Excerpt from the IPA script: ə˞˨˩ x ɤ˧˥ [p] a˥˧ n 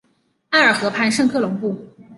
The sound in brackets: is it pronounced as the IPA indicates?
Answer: no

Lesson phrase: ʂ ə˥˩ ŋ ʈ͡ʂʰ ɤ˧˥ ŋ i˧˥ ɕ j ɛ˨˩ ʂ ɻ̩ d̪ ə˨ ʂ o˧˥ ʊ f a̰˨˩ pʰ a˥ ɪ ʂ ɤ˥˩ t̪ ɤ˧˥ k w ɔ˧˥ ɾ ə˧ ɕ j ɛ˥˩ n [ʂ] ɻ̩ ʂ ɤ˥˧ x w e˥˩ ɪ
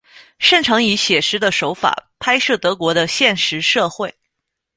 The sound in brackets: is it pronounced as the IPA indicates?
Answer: yes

